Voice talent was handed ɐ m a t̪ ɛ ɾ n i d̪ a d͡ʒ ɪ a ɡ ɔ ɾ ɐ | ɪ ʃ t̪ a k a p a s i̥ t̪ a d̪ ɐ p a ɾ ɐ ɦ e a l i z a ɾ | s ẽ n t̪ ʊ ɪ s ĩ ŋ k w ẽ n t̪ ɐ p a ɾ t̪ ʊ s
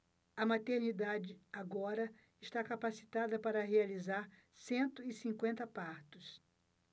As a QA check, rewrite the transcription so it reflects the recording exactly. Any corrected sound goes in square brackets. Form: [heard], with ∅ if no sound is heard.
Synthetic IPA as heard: ɐ m a t̪ [e] ɾ n i d̪ a d͡ʒ ɪ a ɡ ɔ ɾ ɐ | ɪ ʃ t̪ a k a p a s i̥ t̪ a d̪ ɐ p a ɾ ɐ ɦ e a l i z a ɾ | s ẽ n t̪ ʊ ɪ s ĩ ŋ k w ẽ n t̪ ɐ p a ɾ t̪ ʊ s

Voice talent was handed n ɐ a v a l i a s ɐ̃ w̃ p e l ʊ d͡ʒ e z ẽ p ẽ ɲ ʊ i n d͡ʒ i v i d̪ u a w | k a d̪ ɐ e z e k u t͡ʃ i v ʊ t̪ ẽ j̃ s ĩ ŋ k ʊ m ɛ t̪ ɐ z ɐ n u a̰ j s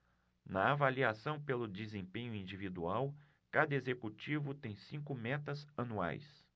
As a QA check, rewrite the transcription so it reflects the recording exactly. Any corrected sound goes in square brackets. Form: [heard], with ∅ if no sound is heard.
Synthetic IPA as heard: n ɐ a v a l i a s ɐ̃ w̃ p e l ʊ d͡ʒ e z ẽ p ẽ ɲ ʊ [ĩ] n d͡ʒ i v i d̪ u a w | k a d̪ ɐ e z e k u t͡ʃ i v ʊ t̪ ẽ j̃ s ĩ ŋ k ʊ m ɛ t̪ ɐ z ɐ n u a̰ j s

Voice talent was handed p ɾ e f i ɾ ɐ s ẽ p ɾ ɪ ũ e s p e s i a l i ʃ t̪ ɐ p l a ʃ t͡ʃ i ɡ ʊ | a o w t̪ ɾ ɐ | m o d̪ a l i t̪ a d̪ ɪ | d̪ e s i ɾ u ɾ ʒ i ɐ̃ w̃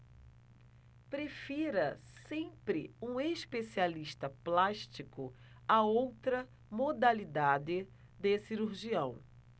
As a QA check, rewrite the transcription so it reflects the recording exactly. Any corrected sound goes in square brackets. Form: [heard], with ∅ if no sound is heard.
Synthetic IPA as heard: p ɾ e f i ɾ ɐ s ẽ p ɾ ɪ ũ e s p e s i a l i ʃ t̪ ɐ p l a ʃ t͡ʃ i [k] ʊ | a o w t̪ ɾ ɐ | m o d̪ a l i [d̪] a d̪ ɪ | d̪ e s i ɾ u ɾ ʒ i ɐ̃ w̃

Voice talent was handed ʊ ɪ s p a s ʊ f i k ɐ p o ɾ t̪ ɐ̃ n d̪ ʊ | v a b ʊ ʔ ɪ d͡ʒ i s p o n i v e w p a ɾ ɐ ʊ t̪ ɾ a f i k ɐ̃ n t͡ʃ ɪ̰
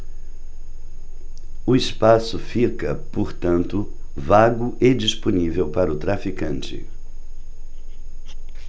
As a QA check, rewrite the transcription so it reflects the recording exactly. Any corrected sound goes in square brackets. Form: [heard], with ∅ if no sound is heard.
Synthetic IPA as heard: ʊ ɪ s p a s ʊ f i k ɐ p o ɾ t̪ ɐ̃ n [t̪] ʊ | v a [ɡ] ʊ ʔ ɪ d͡ʒ i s p o n i v e w p a ɾ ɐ ʊ t̪ ɾ a f i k ɐ̃ n t͡ʃ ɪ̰

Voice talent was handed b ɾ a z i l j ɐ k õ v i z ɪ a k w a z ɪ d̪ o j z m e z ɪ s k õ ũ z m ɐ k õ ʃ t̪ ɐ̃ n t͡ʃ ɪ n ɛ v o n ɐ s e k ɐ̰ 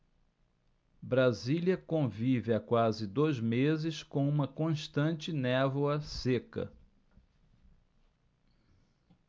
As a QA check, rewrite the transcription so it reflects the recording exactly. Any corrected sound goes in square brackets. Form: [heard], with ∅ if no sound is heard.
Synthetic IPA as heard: b ɾ a z i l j ɐ k õ v i [v] ɪ a k w a z ɪ d̪ o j z m e z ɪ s k õ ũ [∅] m ɐ k õ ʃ t̪ ɐ̃ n t͡ʃ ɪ n ɛ v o [∅] ɐ s e k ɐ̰

